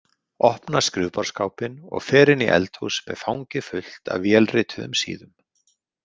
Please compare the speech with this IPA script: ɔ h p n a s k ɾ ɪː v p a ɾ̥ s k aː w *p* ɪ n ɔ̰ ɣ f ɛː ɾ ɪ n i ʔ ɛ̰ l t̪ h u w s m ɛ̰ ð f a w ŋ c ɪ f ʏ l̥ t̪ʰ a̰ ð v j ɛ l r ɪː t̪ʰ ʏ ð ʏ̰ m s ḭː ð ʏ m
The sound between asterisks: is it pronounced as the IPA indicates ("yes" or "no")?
yes